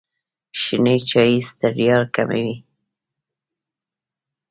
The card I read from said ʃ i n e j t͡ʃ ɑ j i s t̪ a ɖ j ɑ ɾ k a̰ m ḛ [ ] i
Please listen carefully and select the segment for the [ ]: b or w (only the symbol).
w